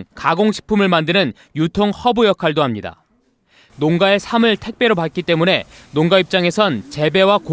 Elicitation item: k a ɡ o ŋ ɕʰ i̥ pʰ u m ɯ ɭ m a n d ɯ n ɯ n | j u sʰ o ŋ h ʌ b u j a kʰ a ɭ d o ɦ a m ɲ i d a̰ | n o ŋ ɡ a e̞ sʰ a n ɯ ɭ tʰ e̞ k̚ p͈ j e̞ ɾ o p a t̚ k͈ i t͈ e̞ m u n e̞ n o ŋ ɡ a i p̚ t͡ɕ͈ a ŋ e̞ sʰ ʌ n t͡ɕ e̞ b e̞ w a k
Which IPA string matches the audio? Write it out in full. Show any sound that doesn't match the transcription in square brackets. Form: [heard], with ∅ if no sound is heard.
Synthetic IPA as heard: k a ɡ o ŋ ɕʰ i̥ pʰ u m ɯ ɭ m a n d ɯ n ɯ n | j u [tʰ] o ŋ h ʌ b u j [ʌ] kʰ a ɭ d o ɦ a m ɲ i d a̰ | n o ŋ ɡ a e̞ sʰ a [m] ɯ ɭ tʰ e̞ k̚ p͈ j e̞ ɾ o p a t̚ k͈ i t͈ e̞ m u n e̞ n o ŋ ɡ a i p̚ t͡ɕ͈ a ŋ e̞ sʰ ʌ n t͡ɕ e̞ b e̞ w a k